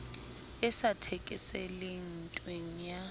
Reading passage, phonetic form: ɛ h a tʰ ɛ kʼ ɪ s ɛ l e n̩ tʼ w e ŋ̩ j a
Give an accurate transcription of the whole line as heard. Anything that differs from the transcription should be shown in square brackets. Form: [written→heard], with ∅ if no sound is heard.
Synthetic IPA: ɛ [h→s] a tʰ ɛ kʼ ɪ s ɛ l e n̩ tʼ w e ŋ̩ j a

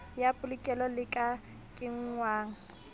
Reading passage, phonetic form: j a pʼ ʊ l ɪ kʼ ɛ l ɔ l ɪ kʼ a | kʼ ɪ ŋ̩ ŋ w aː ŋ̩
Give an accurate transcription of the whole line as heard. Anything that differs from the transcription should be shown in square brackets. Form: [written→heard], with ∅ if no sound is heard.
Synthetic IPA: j a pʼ ʊ l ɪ kʼ ɛ l ɔ l ɪ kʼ a | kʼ ɪ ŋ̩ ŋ w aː ŋ̩

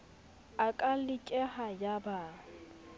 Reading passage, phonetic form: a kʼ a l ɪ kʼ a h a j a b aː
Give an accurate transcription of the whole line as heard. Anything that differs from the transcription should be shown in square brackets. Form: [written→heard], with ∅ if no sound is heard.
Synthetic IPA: a kʼ a l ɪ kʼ [a→ɛ] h a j a b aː

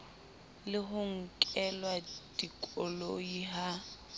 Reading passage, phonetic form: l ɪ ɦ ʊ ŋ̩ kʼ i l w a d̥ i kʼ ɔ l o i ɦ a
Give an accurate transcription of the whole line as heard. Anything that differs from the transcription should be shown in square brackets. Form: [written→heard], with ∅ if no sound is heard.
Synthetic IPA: l ɪ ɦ ʊ ŋ̩ kʼ [i→ɛ] l w a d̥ i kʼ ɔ l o i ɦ a

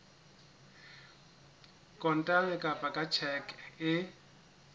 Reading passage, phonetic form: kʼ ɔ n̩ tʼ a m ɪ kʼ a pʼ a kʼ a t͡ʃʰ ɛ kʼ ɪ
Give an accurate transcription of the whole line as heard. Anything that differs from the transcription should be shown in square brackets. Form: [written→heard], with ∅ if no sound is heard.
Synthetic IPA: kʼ ɔ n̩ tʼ a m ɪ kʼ a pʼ a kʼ a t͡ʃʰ ɛ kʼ ɪ

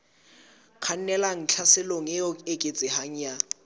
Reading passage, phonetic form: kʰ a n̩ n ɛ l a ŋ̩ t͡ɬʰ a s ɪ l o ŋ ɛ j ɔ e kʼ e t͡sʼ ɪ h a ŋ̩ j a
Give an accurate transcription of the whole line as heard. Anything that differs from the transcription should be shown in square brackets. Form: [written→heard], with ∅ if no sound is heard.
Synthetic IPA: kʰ a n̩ n ɛ l a ŋ̩ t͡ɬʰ a s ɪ l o ŋ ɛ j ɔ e kʼ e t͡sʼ ɪ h a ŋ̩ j a

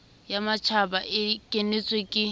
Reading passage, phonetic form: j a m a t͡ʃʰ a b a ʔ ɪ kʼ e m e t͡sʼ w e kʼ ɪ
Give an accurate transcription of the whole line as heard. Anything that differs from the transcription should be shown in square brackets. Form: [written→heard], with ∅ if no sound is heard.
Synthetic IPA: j a m a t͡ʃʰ a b a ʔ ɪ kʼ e [m→n] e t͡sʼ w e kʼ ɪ

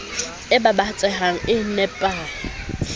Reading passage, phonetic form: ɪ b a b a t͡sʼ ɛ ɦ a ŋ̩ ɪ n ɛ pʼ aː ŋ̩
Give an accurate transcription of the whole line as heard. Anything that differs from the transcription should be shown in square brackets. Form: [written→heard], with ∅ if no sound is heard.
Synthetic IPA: ɪ b a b a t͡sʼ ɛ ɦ a ŋ̩ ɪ n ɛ pʼ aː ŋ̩

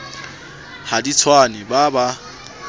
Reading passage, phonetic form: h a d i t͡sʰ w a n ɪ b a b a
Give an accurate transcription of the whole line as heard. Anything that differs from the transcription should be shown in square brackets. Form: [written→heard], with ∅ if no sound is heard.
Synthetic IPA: h a d i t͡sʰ w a n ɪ b a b a

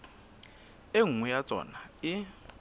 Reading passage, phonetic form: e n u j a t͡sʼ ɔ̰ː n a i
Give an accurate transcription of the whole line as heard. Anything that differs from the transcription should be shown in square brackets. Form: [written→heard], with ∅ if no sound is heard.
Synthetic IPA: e [n→ŋ] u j a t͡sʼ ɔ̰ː n a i

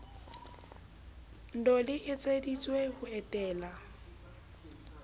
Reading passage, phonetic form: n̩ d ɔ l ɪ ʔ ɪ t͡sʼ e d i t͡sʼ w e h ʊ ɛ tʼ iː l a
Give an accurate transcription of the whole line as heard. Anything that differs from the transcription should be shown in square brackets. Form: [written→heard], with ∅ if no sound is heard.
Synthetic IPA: n̩ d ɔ l ɪ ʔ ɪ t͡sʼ e d i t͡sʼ w e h ʊ ɛ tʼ [iː→ɛː] l a

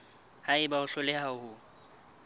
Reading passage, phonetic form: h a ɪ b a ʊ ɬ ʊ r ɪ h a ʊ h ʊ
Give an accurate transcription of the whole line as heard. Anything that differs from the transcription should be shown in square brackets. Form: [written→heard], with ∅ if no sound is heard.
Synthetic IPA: h a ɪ b a ʊ ɬ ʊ [r→l] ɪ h a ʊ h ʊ

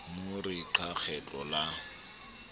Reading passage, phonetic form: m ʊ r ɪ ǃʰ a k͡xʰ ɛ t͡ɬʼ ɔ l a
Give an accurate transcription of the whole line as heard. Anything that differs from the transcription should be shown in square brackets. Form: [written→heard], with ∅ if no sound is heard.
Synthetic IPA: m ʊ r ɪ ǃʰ a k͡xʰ ɛ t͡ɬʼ ɔ l a

